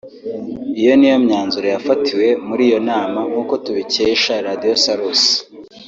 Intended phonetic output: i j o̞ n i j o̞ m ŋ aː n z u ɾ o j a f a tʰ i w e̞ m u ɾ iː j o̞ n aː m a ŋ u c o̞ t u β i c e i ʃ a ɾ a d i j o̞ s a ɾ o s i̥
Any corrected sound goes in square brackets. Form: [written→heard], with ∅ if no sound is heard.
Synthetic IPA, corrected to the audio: i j o̞ n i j o̞ m [ŋ→ɲ] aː n z u ɾ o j a f a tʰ i w e̞ m u ɾ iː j o̞ n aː m a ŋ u [c→k] o̞ t u β i c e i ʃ a ɾ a d i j o̞ s a ɾ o s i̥